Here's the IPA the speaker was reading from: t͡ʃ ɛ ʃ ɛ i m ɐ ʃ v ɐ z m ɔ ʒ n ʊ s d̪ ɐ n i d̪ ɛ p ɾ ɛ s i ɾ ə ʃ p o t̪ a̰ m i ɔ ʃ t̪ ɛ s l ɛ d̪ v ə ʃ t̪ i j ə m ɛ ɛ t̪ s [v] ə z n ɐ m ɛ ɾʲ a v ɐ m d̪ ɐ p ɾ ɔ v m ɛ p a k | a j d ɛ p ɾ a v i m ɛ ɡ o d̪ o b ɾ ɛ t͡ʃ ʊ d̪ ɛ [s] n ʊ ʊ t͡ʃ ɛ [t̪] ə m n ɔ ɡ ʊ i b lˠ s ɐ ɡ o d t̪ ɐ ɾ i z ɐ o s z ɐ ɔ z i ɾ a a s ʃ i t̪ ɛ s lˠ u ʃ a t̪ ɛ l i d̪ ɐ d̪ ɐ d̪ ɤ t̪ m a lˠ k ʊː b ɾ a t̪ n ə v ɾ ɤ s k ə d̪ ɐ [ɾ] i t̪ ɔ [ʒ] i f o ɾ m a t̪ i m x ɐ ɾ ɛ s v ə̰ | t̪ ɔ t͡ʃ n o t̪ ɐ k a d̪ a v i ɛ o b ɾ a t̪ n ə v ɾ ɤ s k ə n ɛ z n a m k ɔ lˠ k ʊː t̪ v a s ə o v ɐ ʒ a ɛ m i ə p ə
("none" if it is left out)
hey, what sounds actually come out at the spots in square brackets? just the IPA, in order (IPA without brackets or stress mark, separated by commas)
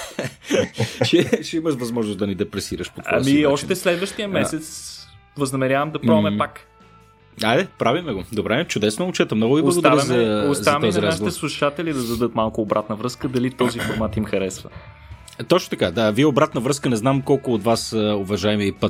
v, s, t̪, l, z